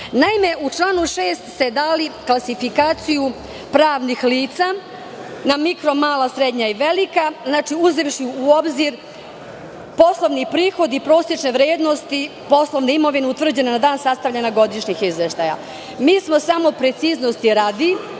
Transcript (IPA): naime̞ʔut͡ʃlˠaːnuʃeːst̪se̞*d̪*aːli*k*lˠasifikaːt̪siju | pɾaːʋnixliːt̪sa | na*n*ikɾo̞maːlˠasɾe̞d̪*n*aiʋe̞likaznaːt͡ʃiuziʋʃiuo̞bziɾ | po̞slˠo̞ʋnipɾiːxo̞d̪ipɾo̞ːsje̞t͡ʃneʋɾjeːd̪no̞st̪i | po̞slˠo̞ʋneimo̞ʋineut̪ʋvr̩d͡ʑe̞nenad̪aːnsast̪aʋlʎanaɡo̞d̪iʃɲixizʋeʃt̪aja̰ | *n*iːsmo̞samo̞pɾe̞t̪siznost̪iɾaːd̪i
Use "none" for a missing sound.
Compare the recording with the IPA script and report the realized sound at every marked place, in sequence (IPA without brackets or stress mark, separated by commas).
d̪, k, m, ɲ, m